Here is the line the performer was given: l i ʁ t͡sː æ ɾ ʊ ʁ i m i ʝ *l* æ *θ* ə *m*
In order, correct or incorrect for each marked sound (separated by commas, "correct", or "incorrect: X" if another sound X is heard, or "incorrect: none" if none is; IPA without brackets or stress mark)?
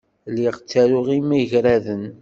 incorrect: ɾ, incorrect: ð, incorrect: n